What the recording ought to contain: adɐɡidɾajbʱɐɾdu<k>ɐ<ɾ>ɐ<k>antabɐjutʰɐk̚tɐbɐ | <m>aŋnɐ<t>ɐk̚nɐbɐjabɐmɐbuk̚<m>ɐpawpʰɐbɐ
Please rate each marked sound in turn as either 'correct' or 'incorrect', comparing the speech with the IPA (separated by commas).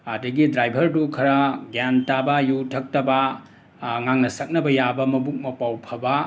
incorrect, correct, incorrect, incorrect, incorrect, correct